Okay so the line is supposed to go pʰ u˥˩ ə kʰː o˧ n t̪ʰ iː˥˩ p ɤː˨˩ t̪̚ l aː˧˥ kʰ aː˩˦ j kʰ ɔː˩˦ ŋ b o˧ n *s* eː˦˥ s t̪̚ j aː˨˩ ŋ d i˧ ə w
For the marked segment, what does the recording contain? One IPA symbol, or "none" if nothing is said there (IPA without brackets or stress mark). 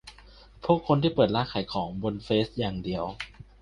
f